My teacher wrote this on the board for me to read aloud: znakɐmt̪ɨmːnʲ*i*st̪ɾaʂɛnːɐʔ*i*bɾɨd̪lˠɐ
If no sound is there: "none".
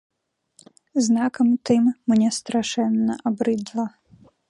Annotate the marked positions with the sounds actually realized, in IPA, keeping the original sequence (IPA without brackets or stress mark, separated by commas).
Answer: ɛ, a